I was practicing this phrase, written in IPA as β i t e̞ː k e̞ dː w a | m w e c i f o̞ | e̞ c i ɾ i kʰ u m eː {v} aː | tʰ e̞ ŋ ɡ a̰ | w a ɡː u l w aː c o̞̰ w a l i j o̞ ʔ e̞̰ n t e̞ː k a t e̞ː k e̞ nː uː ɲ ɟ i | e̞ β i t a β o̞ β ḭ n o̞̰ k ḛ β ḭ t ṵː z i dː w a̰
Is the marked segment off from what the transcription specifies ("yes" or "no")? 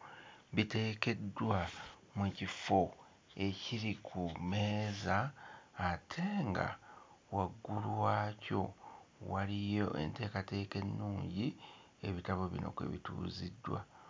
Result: yes